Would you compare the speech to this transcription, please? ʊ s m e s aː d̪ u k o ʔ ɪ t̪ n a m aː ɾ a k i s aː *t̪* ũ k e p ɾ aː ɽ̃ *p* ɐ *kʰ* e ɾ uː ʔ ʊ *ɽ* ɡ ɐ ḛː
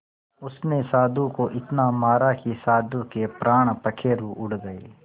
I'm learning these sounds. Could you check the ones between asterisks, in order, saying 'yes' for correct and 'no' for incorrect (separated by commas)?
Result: no, yes, yes, yes